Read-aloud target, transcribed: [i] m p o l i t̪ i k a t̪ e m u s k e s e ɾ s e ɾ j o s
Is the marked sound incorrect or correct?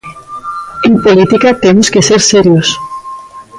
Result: incorrect